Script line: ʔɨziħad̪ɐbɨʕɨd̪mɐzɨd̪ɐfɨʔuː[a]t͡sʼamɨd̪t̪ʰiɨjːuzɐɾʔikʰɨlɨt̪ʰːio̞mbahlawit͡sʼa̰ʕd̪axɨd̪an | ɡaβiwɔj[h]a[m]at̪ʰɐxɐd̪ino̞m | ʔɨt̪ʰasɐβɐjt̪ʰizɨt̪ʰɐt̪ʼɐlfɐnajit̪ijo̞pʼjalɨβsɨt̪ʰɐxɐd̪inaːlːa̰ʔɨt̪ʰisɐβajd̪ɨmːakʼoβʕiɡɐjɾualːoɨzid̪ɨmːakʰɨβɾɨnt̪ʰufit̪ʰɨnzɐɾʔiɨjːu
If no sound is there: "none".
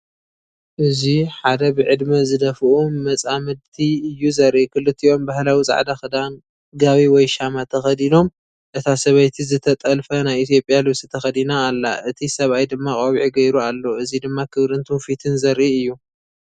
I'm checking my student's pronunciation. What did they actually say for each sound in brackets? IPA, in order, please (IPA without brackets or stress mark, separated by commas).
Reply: ɐ, ʃ, m